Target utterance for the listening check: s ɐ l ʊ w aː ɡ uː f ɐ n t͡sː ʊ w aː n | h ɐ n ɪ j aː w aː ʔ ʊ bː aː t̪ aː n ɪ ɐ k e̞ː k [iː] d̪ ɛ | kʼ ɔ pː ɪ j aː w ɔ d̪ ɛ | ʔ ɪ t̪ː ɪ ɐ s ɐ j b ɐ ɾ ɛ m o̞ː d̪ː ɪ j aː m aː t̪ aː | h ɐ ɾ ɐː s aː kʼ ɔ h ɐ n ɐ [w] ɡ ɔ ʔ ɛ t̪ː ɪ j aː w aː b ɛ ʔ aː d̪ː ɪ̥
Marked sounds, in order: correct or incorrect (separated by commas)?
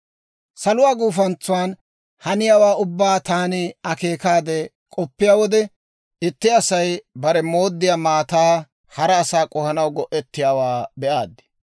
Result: incorrect, correct